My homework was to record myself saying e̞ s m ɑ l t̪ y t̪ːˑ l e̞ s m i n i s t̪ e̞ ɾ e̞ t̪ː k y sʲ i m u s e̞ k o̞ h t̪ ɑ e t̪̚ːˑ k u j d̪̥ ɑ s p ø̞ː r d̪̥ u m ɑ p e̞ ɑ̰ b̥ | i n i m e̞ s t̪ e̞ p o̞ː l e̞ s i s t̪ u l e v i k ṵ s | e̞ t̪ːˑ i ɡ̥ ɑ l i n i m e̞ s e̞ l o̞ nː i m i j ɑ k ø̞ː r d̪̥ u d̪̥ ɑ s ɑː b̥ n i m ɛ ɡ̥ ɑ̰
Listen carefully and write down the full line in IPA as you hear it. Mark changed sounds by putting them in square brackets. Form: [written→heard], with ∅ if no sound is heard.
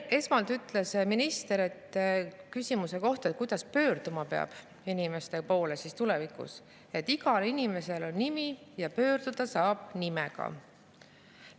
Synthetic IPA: e̞ s m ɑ l t̪ y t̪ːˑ l e̞ s m i n i s t̪ e̞ ɾ e̞ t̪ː k y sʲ i m u s e̞ k o̞ h t̪ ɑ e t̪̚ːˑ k u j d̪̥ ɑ s p ø̞ː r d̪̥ u m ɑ p e̞ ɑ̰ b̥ | i n i m e̞ s t̪ e̞ p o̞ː l e̞ s i s t̪ u l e v i k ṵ s | e̞ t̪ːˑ i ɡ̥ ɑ l i n i m e̞ s e̞ l o̞ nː i m i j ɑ [k→p] ø̞ː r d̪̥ u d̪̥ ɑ s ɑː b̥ n i m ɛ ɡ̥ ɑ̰